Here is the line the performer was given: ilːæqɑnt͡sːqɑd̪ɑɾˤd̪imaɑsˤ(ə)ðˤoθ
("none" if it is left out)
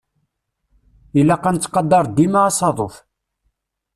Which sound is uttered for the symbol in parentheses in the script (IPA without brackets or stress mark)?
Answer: ɑ